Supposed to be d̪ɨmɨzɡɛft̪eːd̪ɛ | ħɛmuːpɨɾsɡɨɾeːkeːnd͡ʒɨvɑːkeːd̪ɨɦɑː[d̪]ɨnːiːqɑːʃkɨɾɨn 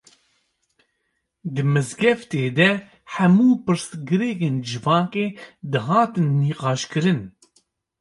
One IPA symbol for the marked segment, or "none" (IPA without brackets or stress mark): t̪